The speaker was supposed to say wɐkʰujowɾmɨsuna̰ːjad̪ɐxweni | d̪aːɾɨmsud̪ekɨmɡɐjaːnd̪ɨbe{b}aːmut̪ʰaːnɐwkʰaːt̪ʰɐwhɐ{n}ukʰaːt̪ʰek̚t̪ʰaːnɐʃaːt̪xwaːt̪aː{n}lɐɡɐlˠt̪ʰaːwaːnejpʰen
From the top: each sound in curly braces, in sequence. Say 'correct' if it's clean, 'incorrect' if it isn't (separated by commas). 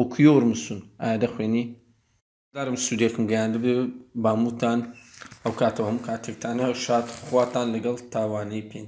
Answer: correct, incorrect, correct